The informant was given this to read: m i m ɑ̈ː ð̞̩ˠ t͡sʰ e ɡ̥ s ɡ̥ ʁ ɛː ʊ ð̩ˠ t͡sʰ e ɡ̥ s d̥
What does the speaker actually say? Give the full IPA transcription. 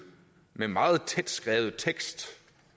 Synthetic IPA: m e m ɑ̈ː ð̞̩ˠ t͡sʰ e d̥ s ɡ̥ ʁ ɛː ʊ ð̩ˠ t͡sʰ e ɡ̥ s d̥

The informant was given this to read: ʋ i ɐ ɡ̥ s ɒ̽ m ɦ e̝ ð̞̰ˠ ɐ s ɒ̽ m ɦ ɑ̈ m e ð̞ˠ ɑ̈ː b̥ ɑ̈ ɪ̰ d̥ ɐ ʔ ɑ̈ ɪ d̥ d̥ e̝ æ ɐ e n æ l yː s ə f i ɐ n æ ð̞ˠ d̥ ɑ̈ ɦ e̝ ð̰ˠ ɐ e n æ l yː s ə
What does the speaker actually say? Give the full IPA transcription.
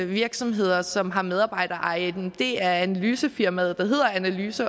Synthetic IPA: ʋ i ɐ ɡ̥ s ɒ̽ m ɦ e̝ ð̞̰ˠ ɐ s ɒ̽ m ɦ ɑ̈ m e ð̞ˠ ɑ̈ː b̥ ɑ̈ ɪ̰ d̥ ɐ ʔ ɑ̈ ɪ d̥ d̥ e̝ æ ɐ æ n æ l yː s ə f i ɐ m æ ð̞ˠ d̥ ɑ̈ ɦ e̝ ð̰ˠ ɐ æ n æ l yː s ə

